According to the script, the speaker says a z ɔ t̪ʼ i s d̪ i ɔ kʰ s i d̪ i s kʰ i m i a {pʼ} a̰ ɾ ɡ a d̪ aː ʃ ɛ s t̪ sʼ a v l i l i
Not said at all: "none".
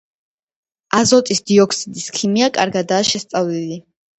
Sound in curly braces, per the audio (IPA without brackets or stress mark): kʼ